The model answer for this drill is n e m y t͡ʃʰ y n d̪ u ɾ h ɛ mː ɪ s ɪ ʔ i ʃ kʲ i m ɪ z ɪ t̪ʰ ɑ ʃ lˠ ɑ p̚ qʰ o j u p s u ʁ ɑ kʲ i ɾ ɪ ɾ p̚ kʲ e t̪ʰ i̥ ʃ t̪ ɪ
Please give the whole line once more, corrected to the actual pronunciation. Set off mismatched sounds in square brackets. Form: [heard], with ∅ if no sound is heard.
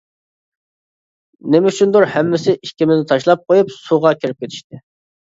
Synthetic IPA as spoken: n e m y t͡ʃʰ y n d̪ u ɾ h ɛ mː ɪ s ɪ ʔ i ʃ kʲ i m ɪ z ɪ t̪ʰ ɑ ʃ lˠ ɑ p̚ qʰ o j u p s u ʁ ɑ kʲ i ɾ ɪ [∅] p̚ kʲ e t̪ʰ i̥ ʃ t̪ ɪ